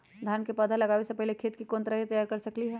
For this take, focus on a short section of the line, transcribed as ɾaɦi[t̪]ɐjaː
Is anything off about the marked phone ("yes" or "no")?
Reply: no